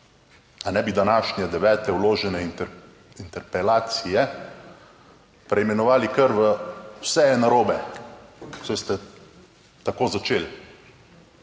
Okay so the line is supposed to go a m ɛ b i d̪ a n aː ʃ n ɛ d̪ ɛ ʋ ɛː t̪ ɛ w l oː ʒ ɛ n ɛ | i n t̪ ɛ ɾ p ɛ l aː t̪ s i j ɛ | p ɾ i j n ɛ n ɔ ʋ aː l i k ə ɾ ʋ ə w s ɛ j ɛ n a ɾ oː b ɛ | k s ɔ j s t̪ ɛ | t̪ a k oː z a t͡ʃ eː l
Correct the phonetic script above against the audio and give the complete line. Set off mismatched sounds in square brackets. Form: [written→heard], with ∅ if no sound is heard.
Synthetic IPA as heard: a [m→n] ɛ b i d̪ a n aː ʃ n ɛ d̪ ɛ ʋ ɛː t̪ ɛ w l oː ʒ ɛ n ɛ | i n t̪ ɛ ɾ p ɛ l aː t̪ s i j ɛ | p ɾ [i→ɛ] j [n→m] ɛ n ɔ ʋ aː l i k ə ɾ ʋ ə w s ɛ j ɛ n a ɾ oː b ɛ | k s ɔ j s t̪ ɛ | t̪ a k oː z a t͡ʃ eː l